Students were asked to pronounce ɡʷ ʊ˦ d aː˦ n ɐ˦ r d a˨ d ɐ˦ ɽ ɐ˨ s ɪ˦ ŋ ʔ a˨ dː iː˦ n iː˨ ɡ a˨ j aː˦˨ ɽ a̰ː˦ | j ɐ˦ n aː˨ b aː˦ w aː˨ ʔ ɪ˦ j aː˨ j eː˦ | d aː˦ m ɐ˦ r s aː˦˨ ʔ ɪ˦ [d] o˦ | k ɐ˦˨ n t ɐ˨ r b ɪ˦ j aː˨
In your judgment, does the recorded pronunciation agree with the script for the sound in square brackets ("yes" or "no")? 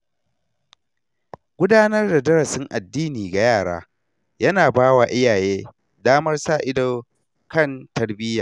yes